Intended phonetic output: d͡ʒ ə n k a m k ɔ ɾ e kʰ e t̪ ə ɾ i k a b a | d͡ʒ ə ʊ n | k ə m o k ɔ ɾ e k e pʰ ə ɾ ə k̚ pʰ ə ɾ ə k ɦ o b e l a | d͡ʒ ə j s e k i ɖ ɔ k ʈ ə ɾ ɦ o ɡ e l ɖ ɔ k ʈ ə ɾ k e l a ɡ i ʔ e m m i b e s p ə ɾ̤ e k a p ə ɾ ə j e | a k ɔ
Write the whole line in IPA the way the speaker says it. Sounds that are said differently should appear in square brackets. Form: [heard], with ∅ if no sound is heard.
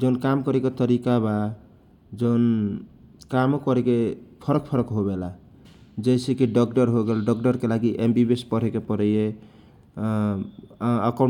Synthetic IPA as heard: d͡ʒ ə n k a m k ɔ ɾ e [k] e t̪ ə ɾ i k a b a | d͡ʒ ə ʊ n | k [a] m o k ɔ ɾ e k e pʰ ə ɾ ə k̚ pʰ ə ɾ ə k ɦ o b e l a | d͡ʒ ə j s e k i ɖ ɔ k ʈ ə ɾ ɦ o ɡ e l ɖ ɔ k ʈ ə ɾ k e l a ɡ i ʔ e m [b] i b e s p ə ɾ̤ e k [e] p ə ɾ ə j e | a k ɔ